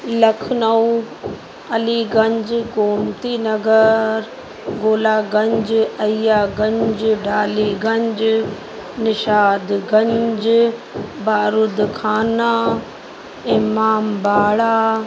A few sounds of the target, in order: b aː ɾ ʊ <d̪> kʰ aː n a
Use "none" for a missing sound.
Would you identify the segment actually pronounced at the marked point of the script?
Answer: d̪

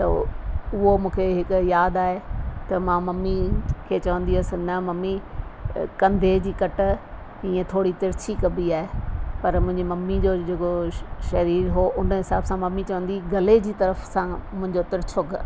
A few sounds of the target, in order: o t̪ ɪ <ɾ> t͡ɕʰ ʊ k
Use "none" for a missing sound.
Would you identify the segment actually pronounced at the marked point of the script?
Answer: ɾ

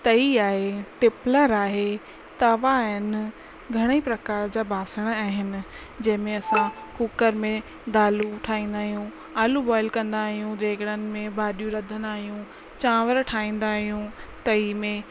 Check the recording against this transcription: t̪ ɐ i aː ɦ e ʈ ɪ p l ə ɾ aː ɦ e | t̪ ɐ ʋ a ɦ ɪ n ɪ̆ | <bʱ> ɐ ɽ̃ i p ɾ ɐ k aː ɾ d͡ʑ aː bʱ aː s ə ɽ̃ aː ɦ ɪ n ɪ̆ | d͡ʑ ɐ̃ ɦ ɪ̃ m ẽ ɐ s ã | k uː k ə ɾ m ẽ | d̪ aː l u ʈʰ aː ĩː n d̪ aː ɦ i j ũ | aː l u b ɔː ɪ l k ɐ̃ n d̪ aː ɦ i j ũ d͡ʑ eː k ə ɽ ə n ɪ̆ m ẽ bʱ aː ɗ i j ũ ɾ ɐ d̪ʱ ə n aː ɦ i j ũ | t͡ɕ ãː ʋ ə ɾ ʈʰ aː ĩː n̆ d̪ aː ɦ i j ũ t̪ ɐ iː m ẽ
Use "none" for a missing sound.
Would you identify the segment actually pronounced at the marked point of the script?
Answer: ɡʱ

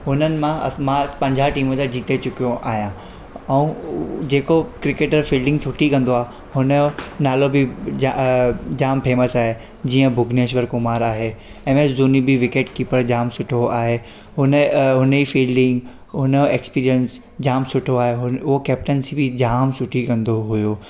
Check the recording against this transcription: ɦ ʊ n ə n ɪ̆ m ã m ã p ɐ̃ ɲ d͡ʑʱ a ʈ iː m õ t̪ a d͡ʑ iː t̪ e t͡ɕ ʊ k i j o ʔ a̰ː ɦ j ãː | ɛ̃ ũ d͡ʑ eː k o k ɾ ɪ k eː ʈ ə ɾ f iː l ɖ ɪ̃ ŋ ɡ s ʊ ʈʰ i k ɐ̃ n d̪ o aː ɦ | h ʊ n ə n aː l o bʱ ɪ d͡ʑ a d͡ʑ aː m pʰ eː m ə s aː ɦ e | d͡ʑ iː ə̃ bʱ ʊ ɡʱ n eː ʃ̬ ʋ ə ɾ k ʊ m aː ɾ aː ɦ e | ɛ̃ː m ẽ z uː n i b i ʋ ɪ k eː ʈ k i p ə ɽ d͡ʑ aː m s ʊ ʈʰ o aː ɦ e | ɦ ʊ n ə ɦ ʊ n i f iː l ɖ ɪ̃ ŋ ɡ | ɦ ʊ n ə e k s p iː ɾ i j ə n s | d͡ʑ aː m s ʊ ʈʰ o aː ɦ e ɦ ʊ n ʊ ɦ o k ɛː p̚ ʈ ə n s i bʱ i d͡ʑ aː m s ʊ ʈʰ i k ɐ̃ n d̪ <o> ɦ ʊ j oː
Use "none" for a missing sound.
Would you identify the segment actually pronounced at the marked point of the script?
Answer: o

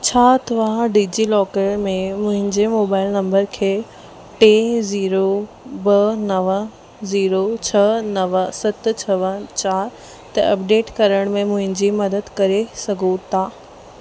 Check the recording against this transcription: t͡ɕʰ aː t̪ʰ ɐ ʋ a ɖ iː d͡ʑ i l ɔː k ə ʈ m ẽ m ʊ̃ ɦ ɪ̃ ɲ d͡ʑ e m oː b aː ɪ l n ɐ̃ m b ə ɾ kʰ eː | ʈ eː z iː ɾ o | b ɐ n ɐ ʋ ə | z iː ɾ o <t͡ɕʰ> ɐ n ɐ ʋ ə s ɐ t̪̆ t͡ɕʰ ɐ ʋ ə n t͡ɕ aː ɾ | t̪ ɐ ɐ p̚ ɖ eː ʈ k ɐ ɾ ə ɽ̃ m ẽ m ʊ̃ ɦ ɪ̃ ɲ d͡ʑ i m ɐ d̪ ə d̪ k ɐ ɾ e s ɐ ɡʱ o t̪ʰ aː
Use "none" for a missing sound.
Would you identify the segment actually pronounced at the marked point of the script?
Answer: t͡ɕʰ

